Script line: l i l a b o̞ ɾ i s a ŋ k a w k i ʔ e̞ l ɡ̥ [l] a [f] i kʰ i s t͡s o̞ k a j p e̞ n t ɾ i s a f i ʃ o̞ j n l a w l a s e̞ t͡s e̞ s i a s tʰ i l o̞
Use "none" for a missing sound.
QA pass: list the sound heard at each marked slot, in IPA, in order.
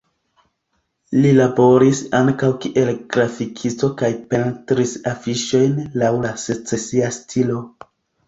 ɾ, f

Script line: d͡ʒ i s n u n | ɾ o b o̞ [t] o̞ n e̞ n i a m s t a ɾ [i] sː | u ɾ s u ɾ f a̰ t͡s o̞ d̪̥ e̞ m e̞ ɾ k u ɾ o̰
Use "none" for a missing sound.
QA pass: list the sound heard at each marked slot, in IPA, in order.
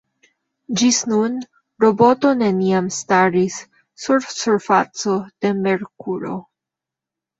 t, i

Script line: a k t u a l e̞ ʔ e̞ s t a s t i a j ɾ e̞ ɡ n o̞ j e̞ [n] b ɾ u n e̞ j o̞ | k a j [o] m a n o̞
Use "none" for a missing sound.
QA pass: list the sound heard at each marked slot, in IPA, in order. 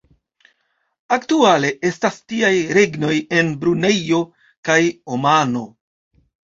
n, o

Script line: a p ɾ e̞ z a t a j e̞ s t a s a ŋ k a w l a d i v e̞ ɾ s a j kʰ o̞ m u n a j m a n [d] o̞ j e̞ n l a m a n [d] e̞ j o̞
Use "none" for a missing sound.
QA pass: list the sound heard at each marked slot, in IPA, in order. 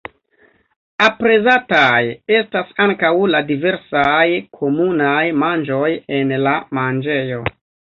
d͡ʒ, d͡ʒ

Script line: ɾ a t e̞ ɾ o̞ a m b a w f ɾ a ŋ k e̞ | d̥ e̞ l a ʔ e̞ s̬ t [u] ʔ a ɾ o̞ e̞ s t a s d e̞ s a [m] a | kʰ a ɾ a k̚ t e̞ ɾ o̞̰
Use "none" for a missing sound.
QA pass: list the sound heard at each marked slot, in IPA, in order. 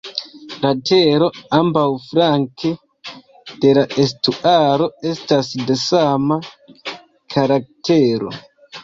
u, m

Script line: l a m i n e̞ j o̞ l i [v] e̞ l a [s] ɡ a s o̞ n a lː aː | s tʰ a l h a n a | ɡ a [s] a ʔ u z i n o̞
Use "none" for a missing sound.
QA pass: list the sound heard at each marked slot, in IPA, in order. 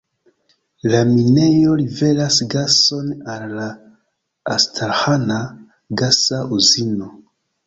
v, s, s

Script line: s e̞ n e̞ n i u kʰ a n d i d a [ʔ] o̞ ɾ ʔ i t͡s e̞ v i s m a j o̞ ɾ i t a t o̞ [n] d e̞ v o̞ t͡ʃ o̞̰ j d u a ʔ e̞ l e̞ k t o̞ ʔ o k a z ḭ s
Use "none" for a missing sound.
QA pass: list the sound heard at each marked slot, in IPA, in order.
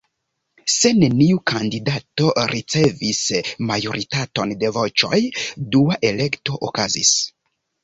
t, n

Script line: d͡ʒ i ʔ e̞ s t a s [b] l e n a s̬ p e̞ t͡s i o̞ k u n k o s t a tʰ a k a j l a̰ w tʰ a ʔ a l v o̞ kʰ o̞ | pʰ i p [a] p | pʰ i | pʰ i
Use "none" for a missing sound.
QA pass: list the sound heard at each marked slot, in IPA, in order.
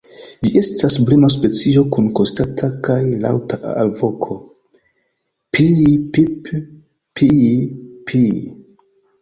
b, i

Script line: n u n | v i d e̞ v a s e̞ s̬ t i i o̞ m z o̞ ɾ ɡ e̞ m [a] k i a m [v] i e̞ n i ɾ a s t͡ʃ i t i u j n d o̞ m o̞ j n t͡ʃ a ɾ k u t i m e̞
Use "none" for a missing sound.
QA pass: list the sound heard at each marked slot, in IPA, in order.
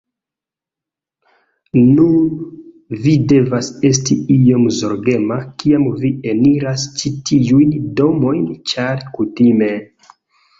a, v

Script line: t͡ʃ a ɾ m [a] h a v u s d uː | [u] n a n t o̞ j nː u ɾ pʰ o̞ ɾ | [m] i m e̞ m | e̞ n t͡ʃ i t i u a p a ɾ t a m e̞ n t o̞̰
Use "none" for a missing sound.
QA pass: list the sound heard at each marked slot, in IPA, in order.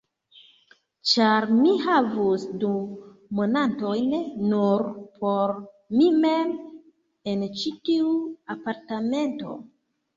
i, o, m

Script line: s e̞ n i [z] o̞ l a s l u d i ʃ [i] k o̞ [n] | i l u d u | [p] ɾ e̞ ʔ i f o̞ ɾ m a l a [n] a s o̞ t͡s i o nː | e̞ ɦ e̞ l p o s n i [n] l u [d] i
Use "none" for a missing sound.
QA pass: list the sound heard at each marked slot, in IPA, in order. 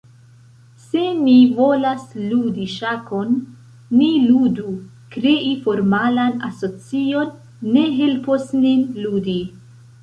v, a, nː, k, n, n, d

